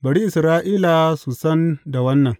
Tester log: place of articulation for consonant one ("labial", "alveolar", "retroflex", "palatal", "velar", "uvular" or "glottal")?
labial